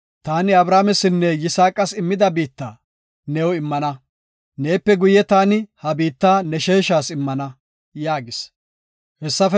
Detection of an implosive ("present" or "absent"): absent